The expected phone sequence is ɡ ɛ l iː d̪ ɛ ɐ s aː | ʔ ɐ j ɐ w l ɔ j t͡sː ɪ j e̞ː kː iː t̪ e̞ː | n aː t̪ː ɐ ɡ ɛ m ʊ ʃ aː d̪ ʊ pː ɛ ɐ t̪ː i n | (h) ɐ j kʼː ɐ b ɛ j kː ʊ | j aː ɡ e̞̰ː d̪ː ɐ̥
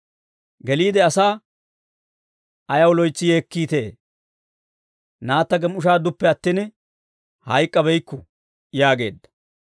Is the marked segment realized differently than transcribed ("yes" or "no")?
no